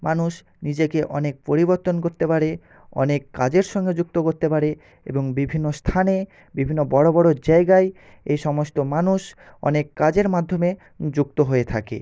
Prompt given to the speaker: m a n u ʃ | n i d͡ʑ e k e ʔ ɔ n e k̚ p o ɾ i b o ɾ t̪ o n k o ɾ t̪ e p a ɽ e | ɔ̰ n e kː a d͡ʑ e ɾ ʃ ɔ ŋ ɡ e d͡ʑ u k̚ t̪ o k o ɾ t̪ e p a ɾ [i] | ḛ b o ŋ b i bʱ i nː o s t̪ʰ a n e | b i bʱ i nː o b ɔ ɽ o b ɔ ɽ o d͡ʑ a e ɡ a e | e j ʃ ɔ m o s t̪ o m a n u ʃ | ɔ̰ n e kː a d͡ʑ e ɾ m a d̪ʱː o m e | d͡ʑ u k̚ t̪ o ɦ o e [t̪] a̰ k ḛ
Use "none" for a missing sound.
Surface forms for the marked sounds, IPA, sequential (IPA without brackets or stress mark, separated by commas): e, t̪ʰ